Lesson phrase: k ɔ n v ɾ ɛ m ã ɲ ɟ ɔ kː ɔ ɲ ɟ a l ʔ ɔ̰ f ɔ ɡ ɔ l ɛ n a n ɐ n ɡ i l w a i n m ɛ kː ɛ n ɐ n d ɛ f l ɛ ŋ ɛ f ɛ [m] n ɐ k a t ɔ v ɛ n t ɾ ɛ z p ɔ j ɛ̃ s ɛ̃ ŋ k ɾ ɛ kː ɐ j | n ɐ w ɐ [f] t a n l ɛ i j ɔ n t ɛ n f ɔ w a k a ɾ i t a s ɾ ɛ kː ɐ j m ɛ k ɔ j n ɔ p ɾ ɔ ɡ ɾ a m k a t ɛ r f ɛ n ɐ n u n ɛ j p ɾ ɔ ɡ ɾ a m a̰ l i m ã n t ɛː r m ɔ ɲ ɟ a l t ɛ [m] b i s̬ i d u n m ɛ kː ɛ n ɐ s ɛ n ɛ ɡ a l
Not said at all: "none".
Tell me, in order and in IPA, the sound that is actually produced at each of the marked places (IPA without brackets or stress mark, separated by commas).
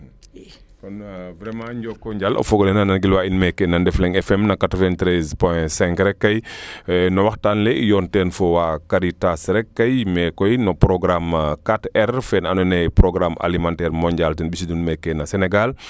m, x, n